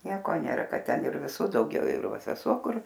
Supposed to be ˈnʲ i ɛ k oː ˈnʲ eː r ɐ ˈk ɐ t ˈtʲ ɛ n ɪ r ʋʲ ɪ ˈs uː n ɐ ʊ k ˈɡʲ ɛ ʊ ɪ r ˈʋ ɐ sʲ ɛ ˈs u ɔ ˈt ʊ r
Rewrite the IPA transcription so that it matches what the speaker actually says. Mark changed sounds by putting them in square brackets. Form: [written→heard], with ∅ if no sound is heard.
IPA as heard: ˈnʲ i ɛ k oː ˈnʲ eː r ɐ ˈk ɐ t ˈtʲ ɛ n ɪ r ʋʲ ɪ ˈs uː [n→d] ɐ ʊ [k→∅] ˈɡʲ ɛ ʊ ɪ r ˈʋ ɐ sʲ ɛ ˈs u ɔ [ˈt→ˈk] ʊ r